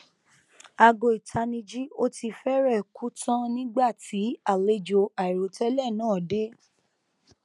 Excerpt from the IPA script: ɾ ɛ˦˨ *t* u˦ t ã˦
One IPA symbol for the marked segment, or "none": k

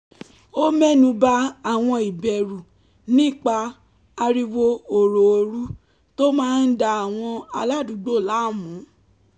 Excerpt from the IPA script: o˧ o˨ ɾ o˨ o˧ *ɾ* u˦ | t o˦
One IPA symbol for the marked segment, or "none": ɾ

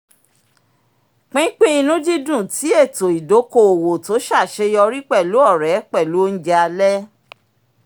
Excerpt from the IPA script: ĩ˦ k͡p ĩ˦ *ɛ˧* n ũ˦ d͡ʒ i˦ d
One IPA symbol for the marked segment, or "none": i˧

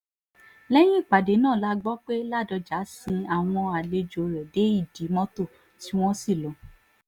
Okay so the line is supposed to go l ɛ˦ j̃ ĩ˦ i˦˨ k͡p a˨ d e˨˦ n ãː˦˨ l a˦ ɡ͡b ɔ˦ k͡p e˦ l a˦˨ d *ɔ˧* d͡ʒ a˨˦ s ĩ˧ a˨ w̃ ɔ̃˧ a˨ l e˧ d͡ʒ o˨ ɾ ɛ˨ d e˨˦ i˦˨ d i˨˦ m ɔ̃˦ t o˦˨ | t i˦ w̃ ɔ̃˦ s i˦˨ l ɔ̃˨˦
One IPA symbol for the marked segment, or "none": ɔ˧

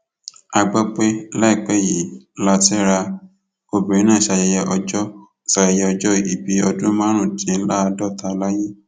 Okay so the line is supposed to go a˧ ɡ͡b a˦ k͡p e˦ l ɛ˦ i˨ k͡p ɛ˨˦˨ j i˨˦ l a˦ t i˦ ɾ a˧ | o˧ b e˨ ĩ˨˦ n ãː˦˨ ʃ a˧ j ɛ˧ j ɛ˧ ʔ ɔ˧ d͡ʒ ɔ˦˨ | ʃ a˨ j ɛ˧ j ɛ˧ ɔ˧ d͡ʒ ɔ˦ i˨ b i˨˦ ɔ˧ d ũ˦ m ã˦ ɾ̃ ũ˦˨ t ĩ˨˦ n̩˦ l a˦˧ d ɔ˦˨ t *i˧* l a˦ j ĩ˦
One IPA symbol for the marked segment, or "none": a˧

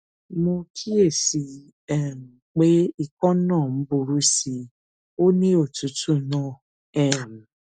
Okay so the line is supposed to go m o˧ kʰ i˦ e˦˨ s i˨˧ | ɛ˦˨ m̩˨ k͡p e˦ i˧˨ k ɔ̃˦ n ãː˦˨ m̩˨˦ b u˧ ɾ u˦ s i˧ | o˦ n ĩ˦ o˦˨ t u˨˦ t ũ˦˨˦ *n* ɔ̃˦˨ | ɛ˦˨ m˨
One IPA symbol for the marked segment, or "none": n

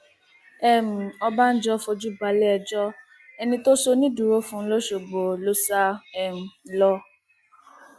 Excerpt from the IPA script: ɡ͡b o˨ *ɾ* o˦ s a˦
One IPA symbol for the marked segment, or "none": l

